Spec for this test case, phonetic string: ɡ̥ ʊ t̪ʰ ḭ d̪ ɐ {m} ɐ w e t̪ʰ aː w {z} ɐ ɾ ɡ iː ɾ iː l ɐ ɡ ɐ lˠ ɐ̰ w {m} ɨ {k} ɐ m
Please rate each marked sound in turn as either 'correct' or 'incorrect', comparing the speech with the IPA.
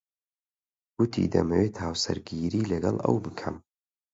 correct, incorrect: s, incorrect: b, incorrect: kʰ

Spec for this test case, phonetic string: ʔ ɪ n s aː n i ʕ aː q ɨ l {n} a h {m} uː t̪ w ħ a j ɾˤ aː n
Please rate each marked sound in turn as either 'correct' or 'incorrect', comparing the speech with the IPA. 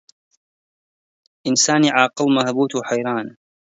incorrect: m, incorrect: b

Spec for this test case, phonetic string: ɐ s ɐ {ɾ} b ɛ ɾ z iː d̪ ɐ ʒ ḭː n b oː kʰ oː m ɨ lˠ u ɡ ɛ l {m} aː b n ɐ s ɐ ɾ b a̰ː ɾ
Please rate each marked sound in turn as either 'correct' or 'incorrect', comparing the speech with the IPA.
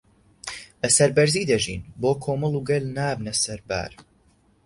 correct, incorrect: n

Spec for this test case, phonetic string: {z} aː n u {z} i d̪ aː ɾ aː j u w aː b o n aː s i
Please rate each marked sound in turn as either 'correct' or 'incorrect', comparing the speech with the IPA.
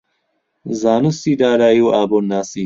correct, incorrect: s

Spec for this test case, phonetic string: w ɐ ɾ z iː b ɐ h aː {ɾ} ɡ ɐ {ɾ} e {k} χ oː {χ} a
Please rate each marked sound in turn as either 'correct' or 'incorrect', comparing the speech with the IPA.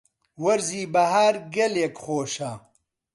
correct, incorrect: l, correct, incorrect: ʃ

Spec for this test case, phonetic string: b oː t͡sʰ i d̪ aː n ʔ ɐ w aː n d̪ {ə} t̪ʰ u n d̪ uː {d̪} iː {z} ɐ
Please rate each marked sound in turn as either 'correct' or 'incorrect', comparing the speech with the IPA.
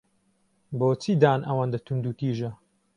incorrect: ɐ, incorrect: t̪, incorrect: ʒ

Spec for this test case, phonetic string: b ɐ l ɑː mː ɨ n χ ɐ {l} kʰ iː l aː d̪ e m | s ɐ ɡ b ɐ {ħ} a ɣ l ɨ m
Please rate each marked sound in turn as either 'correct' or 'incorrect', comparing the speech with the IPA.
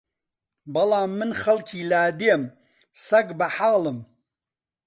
correct, correct

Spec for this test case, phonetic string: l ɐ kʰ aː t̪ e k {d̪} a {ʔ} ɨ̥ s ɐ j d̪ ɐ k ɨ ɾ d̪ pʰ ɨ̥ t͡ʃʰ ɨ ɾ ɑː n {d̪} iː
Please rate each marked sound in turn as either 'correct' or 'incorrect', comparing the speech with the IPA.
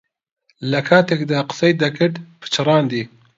correct, incorrect: q, correct

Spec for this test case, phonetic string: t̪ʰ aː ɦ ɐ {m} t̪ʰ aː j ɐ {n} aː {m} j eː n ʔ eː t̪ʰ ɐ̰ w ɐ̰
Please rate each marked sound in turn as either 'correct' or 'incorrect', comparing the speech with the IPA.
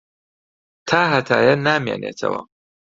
incorrect: none, correct, correct

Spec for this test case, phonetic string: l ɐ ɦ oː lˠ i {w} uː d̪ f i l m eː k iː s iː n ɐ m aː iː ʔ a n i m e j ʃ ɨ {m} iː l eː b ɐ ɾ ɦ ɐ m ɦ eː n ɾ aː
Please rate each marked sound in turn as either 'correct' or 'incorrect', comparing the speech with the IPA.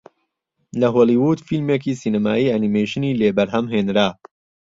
correct, incorrect: n

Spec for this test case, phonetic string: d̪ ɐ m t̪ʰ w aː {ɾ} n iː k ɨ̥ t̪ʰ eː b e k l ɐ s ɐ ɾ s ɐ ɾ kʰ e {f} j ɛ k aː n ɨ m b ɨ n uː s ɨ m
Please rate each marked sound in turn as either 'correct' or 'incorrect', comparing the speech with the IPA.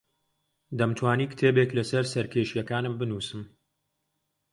incorrect: none, incorrect: ʃ

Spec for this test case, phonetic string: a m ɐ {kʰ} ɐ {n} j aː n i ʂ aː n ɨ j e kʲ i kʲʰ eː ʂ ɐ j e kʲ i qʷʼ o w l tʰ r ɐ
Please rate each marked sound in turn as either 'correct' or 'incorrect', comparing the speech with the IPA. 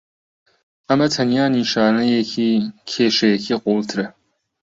incorrect: tʰ, correct

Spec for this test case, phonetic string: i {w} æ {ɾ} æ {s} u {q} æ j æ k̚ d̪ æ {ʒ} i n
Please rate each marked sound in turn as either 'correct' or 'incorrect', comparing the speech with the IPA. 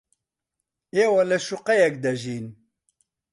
correct, incorrect: l, incorrect: ʃ, correct, correct

